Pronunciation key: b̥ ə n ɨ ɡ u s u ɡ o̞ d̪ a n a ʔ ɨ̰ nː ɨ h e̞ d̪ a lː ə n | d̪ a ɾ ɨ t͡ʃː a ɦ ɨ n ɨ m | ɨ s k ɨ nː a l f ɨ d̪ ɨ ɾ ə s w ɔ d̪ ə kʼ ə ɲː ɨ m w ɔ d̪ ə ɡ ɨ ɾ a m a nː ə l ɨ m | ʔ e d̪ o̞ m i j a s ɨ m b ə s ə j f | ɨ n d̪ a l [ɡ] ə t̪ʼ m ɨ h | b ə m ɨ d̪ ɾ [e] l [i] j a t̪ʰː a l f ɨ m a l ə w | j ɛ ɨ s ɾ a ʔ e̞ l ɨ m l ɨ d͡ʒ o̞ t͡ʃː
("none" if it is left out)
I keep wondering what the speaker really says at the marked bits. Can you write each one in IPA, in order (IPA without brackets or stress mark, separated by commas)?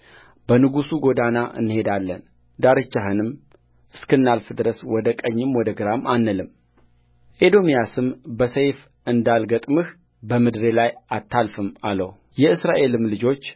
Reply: ɡ, e, a